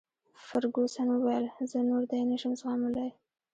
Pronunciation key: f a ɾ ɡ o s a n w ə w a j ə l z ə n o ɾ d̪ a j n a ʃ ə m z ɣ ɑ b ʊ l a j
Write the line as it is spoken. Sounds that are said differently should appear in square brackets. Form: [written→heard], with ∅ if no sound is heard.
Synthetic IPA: f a ɾ ɡ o s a n w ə w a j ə l z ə n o ɾ d̪ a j n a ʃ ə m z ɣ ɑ [b→m] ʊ l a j